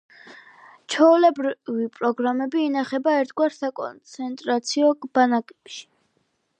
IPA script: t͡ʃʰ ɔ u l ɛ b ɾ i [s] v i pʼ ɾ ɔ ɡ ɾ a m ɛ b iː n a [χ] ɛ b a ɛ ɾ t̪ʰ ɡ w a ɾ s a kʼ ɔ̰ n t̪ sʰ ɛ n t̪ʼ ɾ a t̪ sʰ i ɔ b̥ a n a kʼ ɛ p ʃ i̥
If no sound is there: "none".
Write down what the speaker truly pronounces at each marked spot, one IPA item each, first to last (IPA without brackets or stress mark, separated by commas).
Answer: none, χ